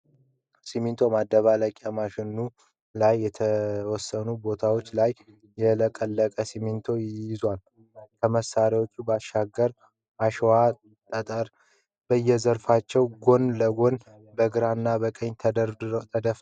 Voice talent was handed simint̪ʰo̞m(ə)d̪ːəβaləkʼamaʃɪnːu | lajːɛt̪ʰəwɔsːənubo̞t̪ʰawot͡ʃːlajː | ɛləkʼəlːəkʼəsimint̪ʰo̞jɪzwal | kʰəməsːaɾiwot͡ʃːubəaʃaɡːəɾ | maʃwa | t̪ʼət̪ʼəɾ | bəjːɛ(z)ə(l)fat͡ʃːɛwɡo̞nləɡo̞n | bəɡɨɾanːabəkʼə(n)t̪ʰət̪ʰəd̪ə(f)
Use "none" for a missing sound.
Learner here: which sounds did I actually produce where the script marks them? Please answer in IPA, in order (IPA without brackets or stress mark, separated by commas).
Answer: a, z, ɾ, ɲ, f